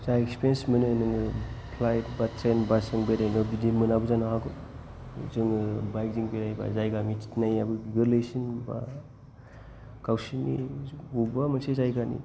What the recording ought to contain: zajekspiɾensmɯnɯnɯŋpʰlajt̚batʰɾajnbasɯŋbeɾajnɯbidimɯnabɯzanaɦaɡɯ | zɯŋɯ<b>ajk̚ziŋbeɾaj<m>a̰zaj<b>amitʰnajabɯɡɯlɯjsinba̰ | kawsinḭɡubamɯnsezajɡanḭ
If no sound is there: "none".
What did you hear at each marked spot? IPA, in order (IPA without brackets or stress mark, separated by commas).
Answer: b, b, ɡ